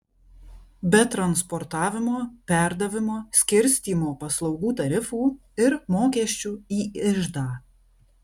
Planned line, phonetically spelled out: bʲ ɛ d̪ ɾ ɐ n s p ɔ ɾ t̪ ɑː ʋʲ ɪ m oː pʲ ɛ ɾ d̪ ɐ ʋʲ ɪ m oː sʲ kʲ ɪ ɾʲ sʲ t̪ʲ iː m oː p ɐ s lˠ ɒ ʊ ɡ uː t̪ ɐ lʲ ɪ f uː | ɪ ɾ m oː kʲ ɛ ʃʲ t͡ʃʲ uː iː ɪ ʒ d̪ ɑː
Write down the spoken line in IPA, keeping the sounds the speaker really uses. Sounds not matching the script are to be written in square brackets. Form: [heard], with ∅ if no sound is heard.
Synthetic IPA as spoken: bʲ ɛ [t̪] ɾ ɐ n s p ɔ ɾ t̪ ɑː ʋʲ ɪ m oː pʲ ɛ ɾ d̪ ɐ ʋʲ ɪ m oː sʲ kʲ ɪ ɾʲ sʲ t̪ʲ iː m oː p ɐ s lˠ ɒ ʊ ɡ uː t̪ ɐ [ɾʲ] ɪ f uː | ɪ ɾ m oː kʲ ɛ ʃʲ t͡ʃʲ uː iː ɪ ʒ d̪ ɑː

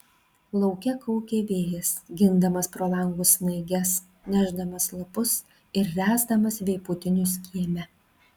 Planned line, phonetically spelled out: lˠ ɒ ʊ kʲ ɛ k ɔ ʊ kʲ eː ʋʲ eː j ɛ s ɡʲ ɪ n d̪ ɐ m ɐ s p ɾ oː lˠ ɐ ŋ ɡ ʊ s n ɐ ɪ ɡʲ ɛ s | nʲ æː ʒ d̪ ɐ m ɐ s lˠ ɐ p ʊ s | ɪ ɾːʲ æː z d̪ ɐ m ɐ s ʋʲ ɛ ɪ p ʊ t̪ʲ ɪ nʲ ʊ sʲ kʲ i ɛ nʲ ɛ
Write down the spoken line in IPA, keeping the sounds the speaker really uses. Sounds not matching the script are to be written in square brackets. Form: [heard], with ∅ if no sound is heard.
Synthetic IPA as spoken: lˠ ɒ ʊ kʲ ɛ k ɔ ʊ kʲ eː ʋʲ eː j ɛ s ɡʲ ɪ n d̪ ɐ m ɐ s p ɾ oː lˠ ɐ ŋ ɡ ʊ s n ɐ ɪ ɡʲ ɛ s | nʲ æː ʒ d̪ ɐ m ɐ s lˠ ɐ p ʊ s | ɪ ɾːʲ æː z d̪ ɐ m ɐ s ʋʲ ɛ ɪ p ʊ t̪ʲ ɪ nʲ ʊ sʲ kʲ i ɛ [mʲ] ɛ

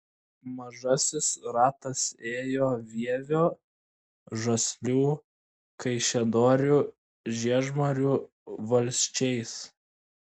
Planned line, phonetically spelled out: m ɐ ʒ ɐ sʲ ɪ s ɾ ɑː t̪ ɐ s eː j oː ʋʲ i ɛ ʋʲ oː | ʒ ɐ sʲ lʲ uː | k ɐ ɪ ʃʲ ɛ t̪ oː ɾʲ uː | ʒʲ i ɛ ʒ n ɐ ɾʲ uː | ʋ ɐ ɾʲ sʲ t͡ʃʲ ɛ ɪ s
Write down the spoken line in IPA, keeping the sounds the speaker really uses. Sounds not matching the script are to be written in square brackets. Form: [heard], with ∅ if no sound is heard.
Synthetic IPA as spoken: m ɐ ʒ ɐ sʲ ɪ s ɾ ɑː t̪ ɐ s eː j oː ʋʲ i ɛ ʋʲ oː | ʒ ɐ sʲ lʲ uː | k ɐ ɪ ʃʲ ɛ [d̪] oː ɾʲ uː | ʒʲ i ɛ ʒ [m] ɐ ɾʲ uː | ʋ ɐ [lʲ] sʲ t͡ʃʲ ɛ ɪ s

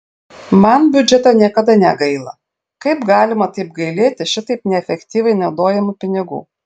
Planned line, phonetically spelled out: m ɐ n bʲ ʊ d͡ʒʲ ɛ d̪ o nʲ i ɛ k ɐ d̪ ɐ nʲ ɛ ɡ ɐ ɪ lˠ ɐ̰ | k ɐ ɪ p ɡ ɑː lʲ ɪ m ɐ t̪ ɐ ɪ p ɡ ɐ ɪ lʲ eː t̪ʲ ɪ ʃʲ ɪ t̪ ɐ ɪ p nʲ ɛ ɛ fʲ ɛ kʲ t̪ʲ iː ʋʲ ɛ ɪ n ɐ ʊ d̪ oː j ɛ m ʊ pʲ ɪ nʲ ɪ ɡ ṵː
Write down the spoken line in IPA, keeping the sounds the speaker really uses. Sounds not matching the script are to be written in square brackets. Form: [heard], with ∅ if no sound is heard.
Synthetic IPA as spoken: m ɐ n bʲ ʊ d͡ʒʲ ɛ [t̪] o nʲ i ɛ k ɐ d̪ ɐ nʲ ɛ ɡ ɐ ɪ lˠ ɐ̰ | k ɐ ɪ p ɡ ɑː lʲ ɪ m ɐ t̪ ɐ ɪ p ɡ ɐ ɪ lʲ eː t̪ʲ ɪ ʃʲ ɪ t̪ ɐ ɪ p nʲ ɛ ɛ fʲ ɛ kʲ t̪ʲ iː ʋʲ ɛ ɪ n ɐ ʊ d̪ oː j ɛ m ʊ pʲ ɪ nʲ ɪ ɡ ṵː

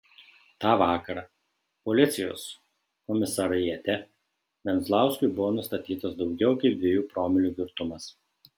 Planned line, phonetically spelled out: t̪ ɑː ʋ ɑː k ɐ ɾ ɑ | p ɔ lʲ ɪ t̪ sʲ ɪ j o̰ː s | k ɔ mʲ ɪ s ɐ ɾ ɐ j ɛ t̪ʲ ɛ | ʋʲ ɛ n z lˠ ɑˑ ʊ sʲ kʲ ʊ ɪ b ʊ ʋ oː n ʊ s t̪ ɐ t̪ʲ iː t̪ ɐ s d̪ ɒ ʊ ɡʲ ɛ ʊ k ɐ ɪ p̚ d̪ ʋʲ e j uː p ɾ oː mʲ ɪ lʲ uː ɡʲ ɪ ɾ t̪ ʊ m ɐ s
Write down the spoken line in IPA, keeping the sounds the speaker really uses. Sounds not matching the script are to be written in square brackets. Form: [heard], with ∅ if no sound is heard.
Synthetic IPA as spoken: t̪ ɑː ʋ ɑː k ɐ ɾ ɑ | p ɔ lʲ ɪ t̪ sʲ ɪ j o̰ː s | k ɔ mʲ ɪ s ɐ ɾ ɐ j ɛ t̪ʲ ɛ | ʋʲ ɛ n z lˠ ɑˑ ʊ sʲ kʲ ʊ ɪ b ʊ ʋ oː n ʊ s t̪ ɐ t̪ʲ iː t̪ ɐ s d̪ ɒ ʊ ɡʲ ɛ ʊ k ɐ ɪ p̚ d̪ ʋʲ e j uː p ɾ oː mʲ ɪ lʲ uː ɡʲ ɪ ɾ t̪ ʊ m ɐ s

